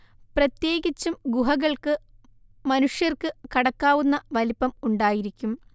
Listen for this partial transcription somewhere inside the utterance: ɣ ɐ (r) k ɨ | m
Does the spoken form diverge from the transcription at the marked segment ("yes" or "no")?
yes